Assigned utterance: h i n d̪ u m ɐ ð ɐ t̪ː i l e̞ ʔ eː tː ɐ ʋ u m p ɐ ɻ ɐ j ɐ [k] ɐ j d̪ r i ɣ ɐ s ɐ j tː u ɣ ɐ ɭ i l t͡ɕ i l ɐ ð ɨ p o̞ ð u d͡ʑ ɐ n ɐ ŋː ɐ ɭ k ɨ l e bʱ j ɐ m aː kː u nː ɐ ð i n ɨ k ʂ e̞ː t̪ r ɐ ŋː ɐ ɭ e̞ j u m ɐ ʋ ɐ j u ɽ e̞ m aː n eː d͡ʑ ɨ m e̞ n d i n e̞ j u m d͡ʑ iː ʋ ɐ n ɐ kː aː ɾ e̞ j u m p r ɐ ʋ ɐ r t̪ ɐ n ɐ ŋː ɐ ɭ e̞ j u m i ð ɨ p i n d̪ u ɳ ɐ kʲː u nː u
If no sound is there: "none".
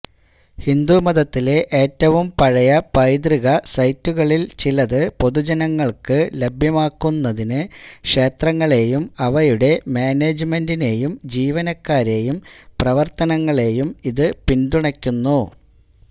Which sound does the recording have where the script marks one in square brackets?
p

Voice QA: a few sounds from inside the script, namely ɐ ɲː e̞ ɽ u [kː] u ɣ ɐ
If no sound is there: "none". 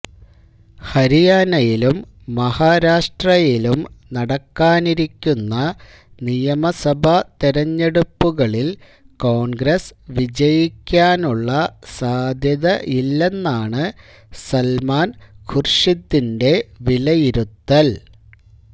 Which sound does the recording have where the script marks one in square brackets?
pː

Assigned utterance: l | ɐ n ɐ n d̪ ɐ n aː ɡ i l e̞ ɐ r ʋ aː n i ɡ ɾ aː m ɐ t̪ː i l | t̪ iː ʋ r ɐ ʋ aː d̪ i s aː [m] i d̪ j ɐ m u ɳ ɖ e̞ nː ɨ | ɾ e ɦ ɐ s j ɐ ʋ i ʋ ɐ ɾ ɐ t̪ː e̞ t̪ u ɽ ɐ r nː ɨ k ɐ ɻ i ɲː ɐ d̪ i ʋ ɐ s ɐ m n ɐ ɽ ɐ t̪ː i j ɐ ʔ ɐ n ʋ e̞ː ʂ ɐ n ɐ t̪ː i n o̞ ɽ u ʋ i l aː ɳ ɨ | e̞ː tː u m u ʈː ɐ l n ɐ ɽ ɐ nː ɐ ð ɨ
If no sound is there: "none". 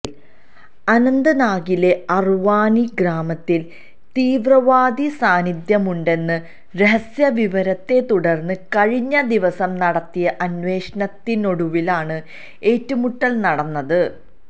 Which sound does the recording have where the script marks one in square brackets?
n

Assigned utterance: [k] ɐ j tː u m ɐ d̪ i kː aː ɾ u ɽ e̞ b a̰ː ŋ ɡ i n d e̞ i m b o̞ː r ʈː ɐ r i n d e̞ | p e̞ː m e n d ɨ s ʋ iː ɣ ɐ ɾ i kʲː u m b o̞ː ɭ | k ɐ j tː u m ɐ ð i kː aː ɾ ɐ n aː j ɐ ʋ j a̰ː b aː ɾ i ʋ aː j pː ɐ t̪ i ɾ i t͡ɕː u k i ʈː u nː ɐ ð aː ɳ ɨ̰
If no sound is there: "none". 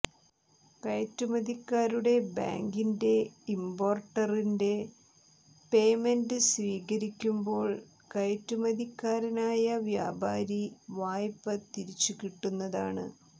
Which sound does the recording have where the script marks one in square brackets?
k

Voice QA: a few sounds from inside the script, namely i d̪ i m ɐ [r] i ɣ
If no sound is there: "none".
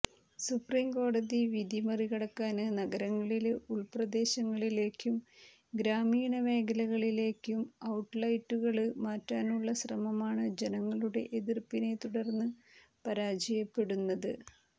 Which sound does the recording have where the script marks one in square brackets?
r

